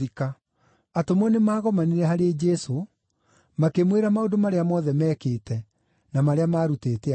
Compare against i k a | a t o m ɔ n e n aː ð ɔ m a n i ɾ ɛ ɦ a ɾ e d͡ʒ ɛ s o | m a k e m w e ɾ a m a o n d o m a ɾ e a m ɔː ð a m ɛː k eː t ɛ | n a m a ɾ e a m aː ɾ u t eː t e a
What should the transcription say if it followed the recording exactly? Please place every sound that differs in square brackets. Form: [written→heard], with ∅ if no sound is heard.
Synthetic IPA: i k a | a t o m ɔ n e [n→m] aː [ð→ɣ] ɔ m a n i ɾ ɛ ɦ a ɾ e d͡ʒ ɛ s o | m a k e m w e ɾ a m a o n d o m a ɾ e a m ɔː ð [a→ɛ] m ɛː k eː t ɛ | n a m a ɾ e a m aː ɾ u t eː t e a